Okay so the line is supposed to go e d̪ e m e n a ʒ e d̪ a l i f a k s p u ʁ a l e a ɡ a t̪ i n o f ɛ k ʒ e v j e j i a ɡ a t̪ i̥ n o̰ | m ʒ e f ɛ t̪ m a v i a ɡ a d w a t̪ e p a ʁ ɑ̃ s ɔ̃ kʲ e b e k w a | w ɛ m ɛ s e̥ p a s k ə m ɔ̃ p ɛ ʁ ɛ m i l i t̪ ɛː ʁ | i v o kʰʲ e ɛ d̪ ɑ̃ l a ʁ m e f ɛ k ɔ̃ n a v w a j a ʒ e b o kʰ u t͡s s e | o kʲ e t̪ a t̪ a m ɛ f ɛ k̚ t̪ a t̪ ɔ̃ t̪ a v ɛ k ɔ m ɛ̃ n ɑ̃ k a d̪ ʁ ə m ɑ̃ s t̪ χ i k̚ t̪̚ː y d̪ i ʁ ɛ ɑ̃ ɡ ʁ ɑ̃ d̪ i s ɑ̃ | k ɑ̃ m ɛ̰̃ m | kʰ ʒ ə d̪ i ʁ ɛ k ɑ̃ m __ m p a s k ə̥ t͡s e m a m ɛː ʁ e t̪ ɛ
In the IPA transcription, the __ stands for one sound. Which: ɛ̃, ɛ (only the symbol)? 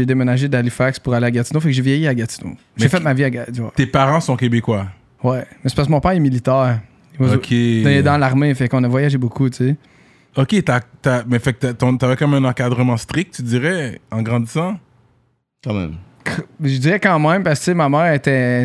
ɛ̃